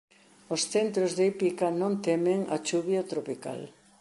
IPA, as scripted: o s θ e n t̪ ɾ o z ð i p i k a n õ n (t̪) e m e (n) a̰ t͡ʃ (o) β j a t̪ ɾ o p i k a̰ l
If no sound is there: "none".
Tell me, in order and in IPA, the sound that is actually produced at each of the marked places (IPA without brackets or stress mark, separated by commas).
t̪, ŋ, u